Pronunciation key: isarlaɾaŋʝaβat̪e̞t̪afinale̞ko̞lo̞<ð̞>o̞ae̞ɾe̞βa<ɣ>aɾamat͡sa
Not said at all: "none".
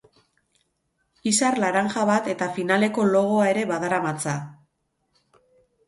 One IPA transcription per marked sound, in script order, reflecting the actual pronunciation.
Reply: ɣ̞, ð

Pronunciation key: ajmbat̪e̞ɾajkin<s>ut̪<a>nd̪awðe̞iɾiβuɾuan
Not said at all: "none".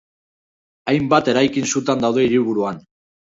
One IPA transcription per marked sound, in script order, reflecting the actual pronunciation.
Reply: s, a

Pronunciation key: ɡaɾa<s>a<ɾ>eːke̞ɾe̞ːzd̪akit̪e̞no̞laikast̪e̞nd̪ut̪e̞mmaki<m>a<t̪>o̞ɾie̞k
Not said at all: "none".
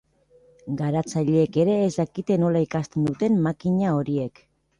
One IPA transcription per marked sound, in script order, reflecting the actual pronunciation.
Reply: t͡s, ʎ, ɲ, none

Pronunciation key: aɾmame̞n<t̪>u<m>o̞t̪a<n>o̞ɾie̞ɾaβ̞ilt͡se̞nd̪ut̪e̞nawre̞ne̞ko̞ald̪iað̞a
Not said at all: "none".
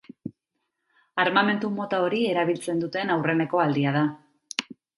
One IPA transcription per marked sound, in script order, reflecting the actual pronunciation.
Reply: t̪, m, none

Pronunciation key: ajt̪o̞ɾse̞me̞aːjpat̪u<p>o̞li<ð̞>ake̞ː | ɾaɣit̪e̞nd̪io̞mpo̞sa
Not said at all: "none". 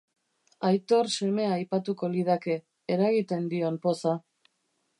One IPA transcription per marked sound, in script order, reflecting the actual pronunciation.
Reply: k, ð̞

